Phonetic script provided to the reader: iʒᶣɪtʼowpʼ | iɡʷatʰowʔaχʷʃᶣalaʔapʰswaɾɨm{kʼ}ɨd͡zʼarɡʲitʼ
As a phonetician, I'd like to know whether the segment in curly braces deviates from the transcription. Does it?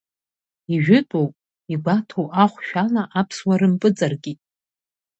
yes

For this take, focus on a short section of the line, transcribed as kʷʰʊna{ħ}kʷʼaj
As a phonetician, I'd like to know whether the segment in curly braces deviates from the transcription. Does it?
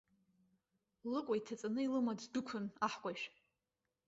no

